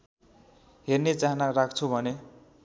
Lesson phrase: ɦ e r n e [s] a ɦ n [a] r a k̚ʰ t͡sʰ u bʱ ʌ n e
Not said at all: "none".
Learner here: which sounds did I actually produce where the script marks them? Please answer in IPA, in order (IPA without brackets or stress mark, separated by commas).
t͡s, a